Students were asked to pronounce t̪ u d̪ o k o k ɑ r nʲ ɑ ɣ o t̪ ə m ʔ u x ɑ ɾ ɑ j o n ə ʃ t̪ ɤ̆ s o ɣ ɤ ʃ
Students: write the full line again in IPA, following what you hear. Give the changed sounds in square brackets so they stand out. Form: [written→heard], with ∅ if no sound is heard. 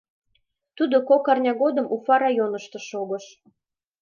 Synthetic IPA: t̪ u d̪ o k o k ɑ r nʲ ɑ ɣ o [t̪→d̪] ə m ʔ u [x→f] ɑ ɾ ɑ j o n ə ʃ t̪ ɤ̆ [s→ʃ] o ɣ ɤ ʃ